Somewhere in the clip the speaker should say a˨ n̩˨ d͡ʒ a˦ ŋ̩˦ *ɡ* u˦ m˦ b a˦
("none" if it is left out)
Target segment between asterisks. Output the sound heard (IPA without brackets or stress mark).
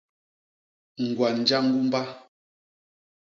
ɡ